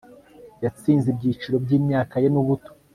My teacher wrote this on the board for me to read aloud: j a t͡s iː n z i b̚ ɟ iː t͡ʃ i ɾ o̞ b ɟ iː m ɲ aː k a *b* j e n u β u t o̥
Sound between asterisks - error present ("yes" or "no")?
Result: yes